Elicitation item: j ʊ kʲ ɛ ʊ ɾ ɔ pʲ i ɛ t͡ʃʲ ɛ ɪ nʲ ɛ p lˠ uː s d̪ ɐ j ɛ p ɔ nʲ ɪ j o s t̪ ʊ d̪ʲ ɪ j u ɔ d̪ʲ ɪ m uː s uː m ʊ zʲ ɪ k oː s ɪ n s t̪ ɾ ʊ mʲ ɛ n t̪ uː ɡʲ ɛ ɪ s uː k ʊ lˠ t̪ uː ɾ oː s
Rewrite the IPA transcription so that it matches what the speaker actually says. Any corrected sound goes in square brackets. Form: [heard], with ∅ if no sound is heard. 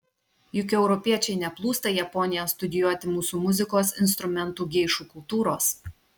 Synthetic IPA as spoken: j ʊ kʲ ɛ ʊ ɾ ɔ pʲ i ɛ t͡ʃʲ ɛ ɪ nʲ ɛ p lˠ uː s [t̪] ɐ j ɛ p ɔ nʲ ɪ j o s t̪ ʊ d̪ʲ ɪ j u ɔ [t̪ʲ] ɪ m uː s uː m ʊ zʲ ɪ k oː s ɪ n s t̪ ɾ ʊ mʲ ɛ n t̪ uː ɡʲ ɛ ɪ [ʃ] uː k ʊ lˠ t̪ uː ɾ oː s

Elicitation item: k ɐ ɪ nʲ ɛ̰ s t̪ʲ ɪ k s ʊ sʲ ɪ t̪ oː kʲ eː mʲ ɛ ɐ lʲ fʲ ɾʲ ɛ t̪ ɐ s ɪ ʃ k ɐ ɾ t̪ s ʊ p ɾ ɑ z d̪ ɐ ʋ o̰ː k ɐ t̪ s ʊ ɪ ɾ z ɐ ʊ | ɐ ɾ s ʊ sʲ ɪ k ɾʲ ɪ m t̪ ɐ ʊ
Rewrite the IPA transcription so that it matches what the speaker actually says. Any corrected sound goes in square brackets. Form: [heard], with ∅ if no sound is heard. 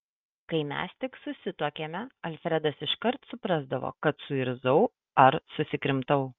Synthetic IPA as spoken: k ɐ ɪ [mʲ] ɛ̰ s t̪ʲ ɪ k s ʊ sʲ ɪ t̪ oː kʲ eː mʲ ɛ ɐ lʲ fʲ ɾʲ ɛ [d̪] ɐ s ɪ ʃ k ɐ ɾ t̪ s ʊ p ɾ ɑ z d̪ ɐ ʋ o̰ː k ɐ t̪ s ʊ ɪ ɾ z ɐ ʊ | ɐ ɾ s ʊ sʲ ɪ k ɾʲ ɪ m t̪ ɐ ʊ

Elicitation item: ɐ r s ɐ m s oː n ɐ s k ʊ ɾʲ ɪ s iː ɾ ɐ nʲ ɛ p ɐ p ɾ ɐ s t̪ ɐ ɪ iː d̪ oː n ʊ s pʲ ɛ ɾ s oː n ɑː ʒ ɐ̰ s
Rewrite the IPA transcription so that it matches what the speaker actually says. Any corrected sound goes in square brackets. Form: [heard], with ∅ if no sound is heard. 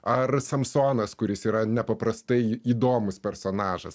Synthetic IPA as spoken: ɐ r s ɐ m s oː n ɐ s k ʊ ɾʲ ɪ s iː ɾ ɐ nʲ ɛ p ɐ p ɾ ɐ s t̪ ɐ ɪ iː d̪ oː [m] ʊ s pʲ ɛ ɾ s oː n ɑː ʒ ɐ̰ s

